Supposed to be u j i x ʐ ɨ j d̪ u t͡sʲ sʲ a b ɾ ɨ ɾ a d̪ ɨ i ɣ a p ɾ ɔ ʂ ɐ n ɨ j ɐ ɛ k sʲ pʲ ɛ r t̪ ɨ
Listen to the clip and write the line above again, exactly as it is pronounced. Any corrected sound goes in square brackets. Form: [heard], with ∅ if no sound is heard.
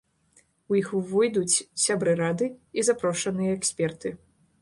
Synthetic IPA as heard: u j i x [v] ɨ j d̪ u t͡sʲ sʲ a b ɾ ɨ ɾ a d̪ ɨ i [z] a p ɾ ɔ ʂ ɐ n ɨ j ɐ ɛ k sʲ pʲ ɛ r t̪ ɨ